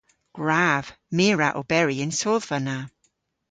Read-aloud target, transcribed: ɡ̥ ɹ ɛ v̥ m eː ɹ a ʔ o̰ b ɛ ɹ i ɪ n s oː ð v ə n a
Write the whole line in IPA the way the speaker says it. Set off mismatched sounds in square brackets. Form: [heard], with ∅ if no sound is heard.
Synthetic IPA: ɡ̥ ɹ [a] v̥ m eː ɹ a ʔ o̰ b ɛ ɹ i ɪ n s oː ð v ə n a